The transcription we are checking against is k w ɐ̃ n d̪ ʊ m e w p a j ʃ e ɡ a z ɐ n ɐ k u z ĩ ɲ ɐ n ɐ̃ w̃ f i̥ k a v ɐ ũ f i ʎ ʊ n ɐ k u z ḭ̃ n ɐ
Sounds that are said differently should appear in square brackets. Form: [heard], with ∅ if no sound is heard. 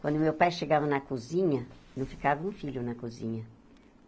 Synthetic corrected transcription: k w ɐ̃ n d̪ ʊ m e w p a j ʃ e ɡ a [v] ɐ n ɐ k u z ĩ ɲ ɐ n ɐ̃ w̃ f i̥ k a v ɐ ũ f i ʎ ʊ n ɐ k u z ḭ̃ [ɲ] ɐ